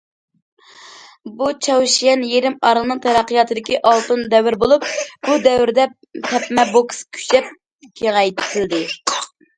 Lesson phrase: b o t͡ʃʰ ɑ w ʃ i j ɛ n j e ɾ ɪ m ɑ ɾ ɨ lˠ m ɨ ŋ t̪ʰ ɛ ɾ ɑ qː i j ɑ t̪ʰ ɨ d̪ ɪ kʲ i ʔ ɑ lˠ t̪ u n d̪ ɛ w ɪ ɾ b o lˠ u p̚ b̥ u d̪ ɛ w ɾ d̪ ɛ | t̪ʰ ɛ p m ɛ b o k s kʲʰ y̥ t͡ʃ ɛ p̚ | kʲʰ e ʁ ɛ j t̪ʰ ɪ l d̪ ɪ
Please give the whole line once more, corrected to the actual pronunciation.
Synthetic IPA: b u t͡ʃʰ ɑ w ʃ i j ɛ n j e ɾ ɪ m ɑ ɾ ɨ lˠ n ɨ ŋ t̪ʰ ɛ ɾ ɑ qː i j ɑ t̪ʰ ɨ d̪ ɪ kʲ i ʔ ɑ lˠ t̪ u n d̪ ɛ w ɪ ɾ b o lˠ u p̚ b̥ u d̪ ɛ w ɾ d̪ ɛ | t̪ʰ ɛ p m ɛ b o k s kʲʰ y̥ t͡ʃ ɛ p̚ | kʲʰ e ʁ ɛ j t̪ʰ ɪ l d̪ ɪ